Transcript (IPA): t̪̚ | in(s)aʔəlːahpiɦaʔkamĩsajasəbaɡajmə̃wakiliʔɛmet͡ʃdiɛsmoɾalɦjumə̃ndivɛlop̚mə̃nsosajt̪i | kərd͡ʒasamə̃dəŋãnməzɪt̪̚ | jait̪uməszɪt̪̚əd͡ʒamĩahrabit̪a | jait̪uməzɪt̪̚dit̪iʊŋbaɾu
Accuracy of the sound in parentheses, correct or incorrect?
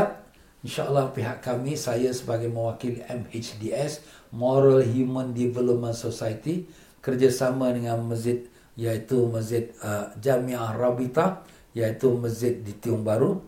incorrect